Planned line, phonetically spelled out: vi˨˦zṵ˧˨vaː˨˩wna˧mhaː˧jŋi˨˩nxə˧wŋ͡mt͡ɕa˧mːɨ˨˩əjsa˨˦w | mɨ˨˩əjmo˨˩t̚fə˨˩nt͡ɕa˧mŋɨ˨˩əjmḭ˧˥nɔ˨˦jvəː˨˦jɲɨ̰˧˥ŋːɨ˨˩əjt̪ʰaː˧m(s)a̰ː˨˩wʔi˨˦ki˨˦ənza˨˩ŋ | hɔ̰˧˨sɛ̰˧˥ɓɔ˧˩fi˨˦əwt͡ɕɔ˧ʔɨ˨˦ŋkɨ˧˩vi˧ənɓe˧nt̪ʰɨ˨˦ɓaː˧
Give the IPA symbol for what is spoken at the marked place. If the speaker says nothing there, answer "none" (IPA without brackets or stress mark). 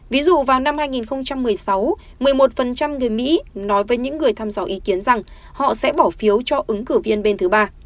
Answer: z